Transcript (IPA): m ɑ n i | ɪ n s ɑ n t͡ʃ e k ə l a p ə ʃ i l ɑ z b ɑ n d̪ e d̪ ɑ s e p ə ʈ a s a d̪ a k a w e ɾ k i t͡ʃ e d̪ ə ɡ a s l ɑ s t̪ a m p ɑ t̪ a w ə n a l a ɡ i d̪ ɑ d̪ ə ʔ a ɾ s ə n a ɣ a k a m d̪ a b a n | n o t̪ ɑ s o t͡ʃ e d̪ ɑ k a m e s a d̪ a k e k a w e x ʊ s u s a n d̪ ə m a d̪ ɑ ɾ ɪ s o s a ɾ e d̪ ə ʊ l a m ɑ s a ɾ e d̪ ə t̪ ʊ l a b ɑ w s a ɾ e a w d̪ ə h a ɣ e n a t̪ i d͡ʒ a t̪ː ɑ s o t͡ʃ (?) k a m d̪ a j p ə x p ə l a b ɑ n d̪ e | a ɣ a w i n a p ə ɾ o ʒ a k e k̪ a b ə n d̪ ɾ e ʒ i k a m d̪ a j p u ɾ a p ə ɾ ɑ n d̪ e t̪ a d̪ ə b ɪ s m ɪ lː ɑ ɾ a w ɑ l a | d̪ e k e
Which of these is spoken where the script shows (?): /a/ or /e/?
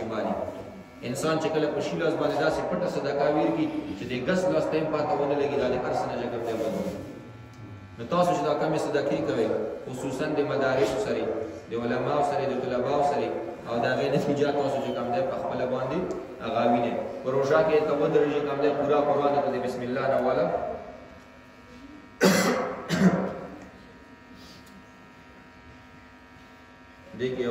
e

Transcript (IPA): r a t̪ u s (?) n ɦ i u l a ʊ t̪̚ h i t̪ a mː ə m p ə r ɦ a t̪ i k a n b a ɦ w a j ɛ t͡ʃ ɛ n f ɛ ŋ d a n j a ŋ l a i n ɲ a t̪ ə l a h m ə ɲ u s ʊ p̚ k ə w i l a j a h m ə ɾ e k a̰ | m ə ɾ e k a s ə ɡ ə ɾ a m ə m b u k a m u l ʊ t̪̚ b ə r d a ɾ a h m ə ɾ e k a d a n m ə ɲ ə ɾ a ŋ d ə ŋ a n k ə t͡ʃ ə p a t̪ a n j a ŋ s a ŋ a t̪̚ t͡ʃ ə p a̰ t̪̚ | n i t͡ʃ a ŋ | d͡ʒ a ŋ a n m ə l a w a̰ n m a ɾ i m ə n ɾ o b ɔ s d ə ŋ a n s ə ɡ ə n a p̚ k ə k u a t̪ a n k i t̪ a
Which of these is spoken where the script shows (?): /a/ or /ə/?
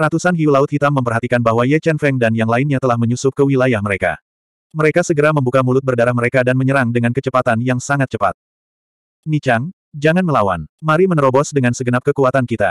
a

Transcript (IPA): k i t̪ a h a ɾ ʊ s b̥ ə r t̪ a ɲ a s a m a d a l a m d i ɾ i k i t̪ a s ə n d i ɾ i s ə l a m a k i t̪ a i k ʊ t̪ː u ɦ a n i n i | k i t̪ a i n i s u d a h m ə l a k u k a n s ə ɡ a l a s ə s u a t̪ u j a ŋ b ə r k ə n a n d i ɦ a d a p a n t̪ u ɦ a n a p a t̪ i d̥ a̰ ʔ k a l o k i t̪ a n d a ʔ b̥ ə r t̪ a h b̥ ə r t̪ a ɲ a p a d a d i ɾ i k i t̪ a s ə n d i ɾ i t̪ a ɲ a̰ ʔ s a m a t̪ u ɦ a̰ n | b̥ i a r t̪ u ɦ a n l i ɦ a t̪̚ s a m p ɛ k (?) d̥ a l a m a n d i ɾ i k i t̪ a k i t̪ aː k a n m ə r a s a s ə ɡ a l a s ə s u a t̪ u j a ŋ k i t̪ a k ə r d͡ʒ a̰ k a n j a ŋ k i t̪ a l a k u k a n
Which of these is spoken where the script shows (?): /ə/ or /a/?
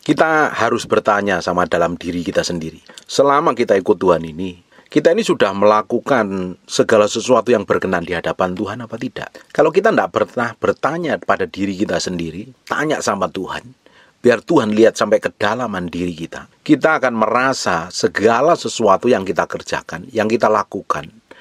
ə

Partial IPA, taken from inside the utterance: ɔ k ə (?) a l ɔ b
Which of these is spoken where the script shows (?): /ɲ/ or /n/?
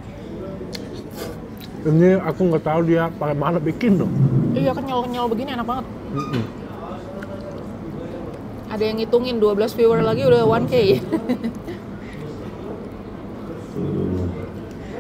ɲ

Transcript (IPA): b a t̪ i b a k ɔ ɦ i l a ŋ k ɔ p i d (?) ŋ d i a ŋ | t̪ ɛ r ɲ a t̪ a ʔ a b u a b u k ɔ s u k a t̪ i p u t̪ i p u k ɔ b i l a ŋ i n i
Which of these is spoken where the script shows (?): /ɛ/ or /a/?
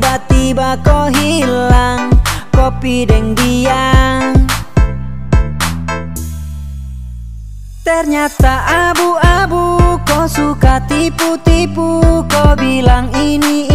ɛ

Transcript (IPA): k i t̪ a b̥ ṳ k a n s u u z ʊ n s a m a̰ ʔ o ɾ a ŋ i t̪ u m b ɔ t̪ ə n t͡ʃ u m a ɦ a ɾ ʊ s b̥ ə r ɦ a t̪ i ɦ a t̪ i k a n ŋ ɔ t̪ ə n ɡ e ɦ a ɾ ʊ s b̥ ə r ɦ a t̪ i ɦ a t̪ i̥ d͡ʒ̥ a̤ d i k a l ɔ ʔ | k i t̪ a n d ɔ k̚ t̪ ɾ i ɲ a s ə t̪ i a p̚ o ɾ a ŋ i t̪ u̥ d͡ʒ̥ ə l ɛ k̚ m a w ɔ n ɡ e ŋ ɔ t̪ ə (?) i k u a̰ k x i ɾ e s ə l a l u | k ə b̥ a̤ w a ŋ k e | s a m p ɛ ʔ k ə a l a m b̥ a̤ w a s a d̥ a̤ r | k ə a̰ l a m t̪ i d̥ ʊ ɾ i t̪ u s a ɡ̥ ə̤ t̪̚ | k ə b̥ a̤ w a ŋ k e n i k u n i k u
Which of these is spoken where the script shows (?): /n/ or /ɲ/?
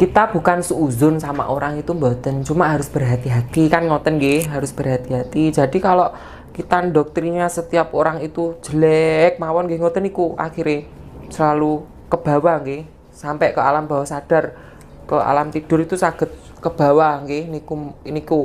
n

